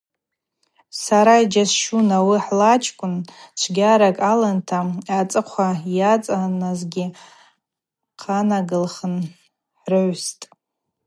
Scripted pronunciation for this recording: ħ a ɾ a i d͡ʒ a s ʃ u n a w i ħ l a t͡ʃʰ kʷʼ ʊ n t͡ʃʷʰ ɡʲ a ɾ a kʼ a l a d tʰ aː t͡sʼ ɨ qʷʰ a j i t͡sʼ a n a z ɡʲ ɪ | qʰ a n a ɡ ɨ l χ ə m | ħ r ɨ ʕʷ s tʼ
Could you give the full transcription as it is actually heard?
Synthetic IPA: s a ɾ a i d͡ʒ a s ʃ u n a w i ħ l a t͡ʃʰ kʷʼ ʊ n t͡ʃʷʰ ɡʲ a ɾ a kʼ a l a n tʰ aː t͡sʼ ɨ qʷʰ a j a t͡sʼ a n a z ɡʲ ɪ | qʰ a n a ɡ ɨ l χ ə n | ħ r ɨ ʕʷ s tʼ

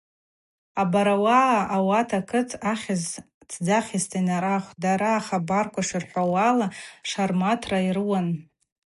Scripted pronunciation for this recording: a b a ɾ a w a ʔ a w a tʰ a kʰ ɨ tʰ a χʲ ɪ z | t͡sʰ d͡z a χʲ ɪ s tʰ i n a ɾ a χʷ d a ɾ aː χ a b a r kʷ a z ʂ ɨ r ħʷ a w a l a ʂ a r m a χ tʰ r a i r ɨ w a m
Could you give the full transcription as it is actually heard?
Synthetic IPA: a b a ɾ a w a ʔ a w a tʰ a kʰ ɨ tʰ a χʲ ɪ z | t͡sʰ d͡z a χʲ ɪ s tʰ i n a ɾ a χʷ d a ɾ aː χ a b a r kʷ a ʂ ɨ r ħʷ a w a l a ʂ a r m a tʰ r a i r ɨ w a n

